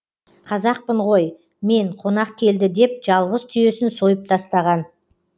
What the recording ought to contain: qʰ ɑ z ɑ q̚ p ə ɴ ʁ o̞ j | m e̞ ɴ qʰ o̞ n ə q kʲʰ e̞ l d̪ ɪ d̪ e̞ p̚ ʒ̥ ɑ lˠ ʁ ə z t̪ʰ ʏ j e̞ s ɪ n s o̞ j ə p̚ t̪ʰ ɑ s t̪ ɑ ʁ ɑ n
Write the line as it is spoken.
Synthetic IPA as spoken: qʰ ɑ z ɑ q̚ p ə ɴ ʁ o̞ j | m e̞ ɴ qʰ o̞ n ɑ q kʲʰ e̞ l d̪ ɪ d̪ e̞ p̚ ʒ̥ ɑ lˠ ʁ ə z t̪ʰ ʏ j e̞ s ɪ n s o̞ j ə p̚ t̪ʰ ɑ s t̪ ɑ ʁ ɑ n